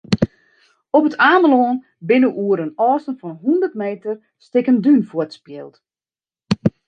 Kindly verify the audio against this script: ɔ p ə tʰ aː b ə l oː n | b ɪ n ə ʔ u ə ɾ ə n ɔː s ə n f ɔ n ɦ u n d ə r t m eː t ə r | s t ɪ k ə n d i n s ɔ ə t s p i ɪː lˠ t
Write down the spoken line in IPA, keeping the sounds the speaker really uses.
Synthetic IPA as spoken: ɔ p ə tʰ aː m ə l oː n | b ɪ n ə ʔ u ə ɾ ə n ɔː s ə n f ɔ n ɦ u n d ə r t m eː t ə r | s t ɪ k ə n d y n f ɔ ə t s p j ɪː lˠ t